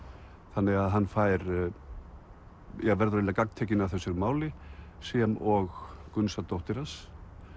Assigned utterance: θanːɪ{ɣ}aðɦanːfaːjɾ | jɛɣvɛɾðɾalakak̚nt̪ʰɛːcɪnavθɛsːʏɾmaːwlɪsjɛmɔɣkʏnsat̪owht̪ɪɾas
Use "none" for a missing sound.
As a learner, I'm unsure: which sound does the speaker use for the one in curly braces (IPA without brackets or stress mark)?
ɣ